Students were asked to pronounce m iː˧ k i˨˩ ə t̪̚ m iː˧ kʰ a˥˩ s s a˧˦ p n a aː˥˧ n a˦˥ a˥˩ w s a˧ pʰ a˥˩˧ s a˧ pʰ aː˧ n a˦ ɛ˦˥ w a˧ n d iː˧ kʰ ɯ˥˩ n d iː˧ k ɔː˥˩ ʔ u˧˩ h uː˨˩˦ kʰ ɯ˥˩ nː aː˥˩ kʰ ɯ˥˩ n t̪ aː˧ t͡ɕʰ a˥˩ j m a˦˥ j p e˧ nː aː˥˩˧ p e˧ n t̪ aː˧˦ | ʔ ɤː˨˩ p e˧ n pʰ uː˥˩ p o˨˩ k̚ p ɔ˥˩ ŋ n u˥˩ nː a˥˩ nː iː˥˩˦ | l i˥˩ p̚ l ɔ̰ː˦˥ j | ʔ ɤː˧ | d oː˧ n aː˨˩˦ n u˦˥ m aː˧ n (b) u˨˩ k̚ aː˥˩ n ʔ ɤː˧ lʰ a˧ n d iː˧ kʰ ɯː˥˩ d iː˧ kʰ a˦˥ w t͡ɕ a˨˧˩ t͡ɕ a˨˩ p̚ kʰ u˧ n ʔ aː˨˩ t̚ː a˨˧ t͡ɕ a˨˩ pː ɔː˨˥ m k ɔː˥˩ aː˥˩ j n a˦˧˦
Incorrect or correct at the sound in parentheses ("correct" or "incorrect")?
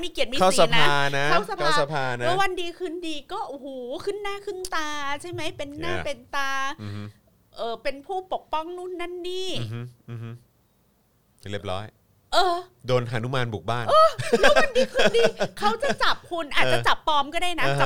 correct